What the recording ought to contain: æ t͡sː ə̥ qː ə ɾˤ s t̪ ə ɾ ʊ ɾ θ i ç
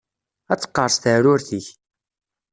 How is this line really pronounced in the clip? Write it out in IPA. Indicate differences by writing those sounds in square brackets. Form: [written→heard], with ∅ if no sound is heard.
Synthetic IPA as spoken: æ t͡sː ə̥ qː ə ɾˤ s t̪ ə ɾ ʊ ɾ θ i ç